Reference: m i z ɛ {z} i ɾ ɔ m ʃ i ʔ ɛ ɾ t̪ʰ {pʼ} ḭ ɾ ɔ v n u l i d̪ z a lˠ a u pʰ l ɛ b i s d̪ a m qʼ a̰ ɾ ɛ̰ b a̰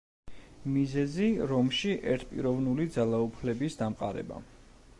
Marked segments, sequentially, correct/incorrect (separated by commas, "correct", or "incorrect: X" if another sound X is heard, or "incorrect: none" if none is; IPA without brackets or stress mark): correct, correct